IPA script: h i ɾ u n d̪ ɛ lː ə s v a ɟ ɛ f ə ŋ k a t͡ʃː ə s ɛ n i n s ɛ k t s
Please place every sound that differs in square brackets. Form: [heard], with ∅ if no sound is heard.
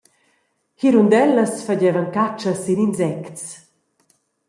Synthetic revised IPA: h i ɾ u n d̪ ɛ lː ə s [f] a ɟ ɛ [v] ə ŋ k a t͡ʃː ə s [i] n i n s ɛ k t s

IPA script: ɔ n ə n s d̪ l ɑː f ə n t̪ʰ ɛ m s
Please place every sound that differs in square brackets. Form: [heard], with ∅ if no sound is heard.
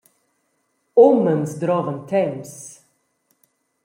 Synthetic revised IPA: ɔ [m] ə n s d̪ [ɾ] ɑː [v] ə n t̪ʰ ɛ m s

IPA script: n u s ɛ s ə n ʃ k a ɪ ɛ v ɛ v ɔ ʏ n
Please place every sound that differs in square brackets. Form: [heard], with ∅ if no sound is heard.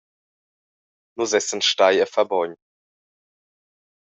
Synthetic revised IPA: n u [z] ɛ s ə n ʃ [t] a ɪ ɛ [f] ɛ [b] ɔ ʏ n

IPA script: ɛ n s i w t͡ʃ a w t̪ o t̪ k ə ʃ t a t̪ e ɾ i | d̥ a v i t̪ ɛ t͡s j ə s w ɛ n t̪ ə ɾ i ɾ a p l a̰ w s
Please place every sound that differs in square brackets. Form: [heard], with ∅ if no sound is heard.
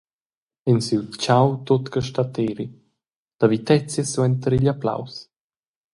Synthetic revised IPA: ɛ n s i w t͡ʃ a w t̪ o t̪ k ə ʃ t a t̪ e ɾ i | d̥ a v i t̪ ɛ t͡s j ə s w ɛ n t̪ ə ɾ i [ʎ] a p l a̰ w s

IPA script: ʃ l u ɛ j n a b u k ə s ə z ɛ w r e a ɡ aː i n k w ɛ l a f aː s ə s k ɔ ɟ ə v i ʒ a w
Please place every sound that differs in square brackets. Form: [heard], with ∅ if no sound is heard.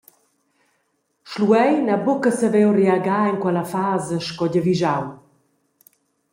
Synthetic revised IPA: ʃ l u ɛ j n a b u k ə s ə [v] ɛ w r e a ɡ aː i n k w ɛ l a f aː [z] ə [ʃ] k ɔ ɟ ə v i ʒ a w

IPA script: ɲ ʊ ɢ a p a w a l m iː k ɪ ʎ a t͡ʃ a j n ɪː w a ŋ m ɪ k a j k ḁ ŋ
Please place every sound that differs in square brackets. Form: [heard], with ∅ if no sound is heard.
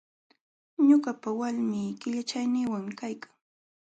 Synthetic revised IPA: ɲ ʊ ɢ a p a w a l m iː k ɪ ʎ a t͡ʃ a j n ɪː w a ŋ m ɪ k a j k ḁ ŋ

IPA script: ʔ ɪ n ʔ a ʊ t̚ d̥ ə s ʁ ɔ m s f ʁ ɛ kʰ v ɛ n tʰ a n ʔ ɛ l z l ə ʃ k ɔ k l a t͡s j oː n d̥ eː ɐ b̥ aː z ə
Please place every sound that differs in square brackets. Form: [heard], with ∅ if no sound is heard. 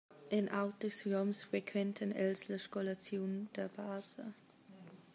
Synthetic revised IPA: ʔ ɪ n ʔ a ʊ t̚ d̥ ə s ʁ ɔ m s f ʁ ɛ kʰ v ɛ n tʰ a n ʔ ɛ l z l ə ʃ k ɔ [∅] l a t͡s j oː n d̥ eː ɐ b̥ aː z ə

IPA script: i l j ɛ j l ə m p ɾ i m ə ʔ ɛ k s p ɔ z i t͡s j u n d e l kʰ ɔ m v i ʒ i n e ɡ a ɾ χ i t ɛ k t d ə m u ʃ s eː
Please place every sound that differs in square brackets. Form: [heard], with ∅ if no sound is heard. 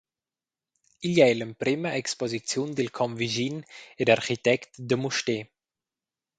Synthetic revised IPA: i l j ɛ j l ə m p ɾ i m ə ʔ ɛ k s p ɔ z i t͡s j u n d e l kʰ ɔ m v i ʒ i n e [d] a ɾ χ i t ɛ k t d ə m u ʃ [t] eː

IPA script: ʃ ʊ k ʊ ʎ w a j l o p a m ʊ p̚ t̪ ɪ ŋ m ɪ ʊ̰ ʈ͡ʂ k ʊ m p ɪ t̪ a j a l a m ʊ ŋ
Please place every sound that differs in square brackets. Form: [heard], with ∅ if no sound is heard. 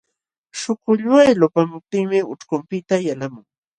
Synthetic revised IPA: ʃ ʊ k ʊ ʎ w a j l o p a m ʊ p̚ t̪ ɪ ŋ m ɪ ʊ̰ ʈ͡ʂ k ʊ m p ɪ t̪ a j a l a m ʊ ŋ

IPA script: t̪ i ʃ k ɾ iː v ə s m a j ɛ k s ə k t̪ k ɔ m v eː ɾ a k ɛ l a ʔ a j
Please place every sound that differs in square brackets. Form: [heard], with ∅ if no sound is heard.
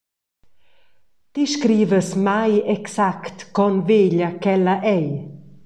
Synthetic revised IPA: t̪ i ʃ k ɾ iː v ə s m a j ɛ k s [a] k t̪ k ɔ [n] v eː [ʎ] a k ɛ l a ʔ [ɛ] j

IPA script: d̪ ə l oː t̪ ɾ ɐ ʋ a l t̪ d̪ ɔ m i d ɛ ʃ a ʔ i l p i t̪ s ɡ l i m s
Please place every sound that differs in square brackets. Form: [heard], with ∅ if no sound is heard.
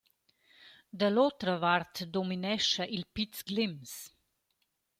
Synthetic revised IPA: d̪ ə l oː t̪ ɾ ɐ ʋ a [ɾ] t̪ d̪ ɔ m i [n] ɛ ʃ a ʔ i l p i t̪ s ɡ l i m s

